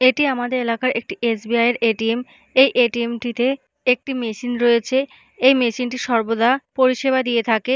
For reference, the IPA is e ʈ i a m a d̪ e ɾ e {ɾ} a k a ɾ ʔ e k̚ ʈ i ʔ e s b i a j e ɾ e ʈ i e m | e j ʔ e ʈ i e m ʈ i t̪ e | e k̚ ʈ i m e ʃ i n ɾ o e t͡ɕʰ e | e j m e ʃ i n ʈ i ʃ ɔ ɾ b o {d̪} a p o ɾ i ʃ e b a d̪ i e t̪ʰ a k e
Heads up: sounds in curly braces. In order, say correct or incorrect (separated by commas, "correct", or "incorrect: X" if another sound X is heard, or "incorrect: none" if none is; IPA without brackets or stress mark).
incorrect: l, correct